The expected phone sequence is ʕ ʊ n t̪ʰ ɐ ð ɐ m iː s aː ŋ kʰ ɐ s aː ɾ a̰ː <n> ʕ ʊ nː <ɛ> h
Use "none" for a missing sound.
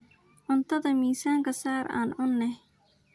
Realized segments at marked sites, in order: n, ɛ

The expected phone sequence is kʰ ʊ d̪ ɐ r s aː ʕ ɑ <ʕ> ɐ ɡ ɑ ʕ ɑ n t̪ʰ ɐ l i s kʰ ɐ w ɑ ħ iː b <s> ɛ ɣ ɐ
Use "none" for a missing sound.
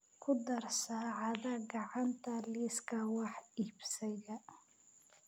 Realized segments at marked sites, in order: ð, s

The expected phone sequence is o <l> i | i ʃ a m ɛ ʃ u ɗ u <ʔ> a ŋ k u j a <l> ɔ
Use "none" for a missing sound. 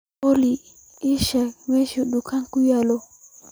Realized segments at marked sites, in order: l, k, l

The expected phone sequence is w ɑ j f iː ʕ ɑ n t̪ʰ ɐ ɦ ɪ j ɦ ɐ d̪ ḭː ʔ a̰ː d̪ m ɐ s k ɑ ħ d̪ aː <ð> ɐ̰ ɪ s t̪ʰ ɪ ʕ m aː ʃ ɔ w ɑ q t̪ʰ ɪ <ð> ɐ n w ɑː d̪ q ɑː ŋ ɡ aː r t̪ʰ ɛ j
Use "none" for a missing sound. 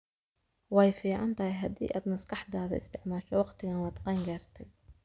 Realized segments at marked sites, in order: ð, ɣ

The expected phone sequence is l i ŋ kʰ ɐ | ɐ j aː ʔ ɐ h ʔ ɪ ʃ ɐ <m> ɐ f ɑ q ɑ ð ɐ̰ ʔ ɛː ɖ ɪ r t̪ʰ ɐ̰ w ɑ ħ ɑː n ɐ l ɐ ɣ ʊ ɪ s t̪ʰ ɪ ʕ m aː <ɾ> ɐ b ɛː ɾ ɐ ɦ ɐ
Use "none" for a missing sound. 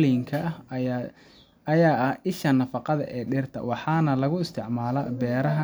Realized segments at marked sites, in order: n, l

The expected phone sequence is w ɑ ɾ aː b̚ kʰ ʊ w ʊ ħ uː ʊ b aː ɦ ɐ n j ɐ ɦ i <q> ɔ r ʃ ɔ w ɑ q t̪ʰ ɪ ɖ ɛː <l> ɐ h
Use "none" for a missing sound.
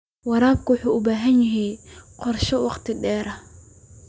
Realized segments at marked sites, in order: q, ɾ

